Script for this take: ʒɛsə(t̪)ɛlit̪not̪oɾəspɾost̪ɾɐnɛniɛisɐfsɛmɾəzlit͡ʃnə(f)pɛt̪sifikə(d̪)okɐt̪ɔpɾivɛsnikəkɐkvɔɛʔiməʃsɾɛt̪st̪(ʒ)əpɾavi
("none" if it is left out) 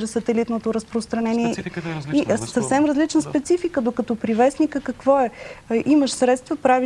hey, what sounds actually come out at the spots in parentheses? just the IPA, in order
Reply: t̪, s, d̪, v

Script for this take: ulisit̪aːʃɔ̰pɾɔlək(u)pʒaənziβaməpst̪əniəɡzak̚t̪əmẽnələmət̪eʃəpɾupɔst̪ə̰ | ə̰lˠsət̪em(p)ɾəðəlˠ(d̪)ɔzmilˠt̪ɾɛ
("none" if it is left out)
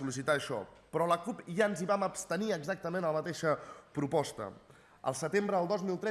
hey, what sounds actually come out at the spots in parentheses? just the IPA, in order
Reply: u, b, d̪

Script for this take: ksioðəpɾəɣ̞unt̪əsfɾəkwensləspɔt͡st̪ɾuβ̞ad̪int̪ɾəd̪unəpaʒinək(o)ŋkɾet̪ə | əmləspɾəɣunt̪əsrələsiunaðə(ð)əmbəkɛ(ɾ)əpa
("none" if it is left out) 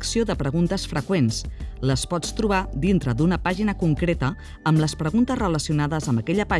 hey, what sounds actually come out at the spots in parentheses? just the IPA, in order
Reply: u, z, ʎ

